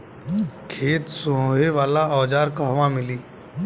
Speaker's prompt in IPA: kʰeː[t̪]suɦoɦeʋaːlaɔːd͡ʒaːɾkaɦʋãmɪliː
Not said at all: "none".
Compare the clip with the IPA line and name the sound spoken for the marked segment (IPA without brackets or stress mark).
t̪